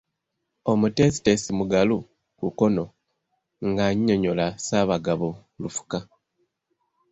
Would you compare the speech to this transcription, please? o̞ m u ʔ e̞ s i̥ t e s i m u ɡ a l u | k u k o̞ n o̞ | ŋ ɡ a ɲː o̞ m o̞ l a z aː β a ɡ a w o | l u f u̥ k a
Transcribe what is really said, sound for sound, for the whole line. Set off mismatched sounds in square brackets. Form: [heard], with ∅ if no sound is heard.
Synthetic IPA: o̞ m u [t] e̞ s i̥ t e s i m u ɡ a l u | k u k o̞ n o̞ | ŋ ɡ a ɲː o̞ [ɲ] o̞ l a [s] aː β a ɡ a [β] o | l u f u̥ k a